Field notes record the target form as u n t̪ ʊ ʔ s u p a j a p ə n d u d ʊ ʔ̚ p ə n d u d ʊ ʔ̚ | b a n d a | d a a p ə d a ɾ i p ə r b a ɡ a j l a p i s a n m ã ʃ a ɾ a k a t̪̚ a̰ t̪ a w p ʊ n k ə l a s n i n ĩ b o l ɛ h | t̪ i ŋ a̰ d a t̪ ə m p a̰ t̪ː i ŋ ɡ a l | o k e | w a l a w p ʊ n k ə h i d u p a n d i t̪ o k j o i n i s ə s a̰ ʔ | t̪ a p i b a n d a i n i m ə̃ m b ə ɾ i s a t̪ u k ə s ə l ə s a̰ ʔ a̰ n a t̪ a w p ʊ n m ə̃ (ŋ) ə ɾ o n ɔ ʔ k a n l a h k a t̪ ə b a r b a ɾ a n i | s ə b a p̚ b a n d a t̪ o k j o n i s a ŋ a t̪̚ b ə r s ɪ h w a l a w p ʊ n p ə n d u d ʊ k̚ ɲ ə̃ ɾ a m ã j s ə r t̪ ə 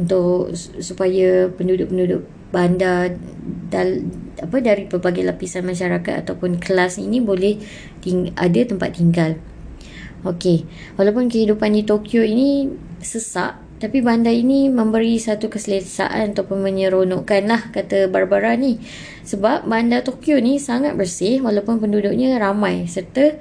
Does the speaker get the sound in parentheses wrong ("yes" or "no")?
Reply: yes